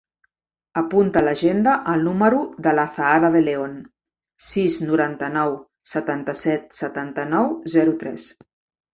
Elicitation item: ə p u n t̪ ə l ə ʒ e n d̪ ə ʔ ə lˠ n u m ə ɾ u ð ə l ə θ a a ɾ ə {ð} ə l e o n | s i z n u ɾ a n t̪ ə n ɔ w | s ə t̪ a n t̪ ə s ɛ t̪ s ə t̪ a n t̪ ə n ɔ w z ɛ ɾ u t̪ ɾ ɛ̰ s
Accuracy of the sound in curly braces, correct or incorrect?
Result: correct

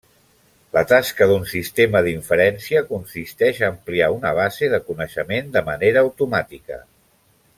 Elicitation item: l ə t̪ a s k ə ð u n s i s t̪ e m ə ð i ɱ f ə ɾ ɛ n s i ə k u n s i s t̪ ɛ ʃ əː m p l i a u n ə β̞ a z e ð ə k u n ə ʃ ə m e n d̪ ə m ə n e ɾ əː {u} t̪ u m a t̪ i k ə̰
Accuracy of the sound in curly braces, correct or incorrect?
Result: incorrect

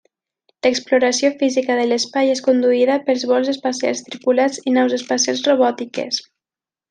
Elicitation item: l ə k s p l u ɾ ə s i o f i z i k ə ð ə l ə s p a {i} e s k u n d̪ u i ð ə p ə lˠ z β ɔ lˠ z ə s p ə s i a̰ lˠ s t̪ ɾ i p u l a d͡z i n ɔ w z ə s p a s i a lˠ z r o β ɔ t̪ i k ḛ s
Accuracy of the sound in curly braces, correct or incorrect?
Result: incorrect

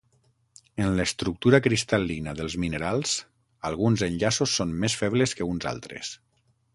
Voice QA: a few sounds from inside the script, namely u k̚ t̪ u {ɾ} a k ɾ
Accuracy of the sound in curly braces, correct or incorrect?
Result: correct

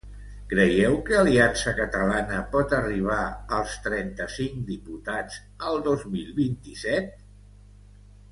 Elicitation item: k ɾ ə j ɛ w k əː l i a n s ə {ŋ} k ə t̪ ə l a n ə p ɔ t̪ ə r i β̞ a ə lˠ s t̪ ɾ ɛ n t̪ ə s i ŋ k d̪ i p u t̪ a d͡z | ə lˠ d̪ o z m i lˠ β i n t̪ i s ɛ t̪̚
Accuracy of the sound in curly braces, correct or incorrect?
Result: incorrect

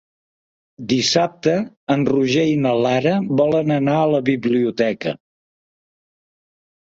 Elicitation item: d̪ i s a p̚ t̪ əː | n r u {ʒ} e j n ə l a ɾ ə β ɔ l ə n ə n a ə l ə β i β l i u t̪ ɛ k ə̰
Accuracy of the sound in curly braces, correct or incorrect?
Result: correct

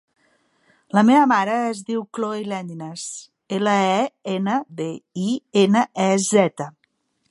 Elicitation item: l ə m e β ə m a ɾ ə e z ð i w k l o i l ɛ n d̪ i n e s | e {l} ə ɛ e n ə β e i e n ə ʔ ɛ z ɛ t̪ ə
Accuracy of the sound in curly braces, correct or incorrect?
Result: correct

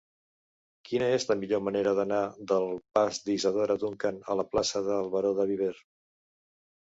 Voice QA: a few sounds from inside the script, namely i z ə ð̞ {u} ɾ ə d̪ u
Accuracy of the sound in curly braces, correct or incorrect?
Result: incorrect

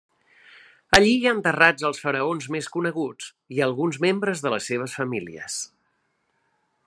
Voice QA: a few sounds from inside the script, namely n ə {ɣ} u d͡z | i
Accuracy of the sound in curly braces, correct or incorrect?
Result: correct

